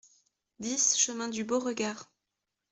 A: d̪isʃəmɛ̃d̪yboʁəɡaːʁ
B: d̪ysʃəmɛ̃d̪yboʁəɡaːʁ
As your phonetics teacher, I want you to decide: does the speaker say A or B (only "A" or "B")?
A